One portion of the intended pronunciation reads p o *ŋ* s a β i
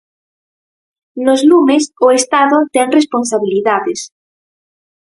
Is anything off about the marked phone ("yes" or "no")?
yes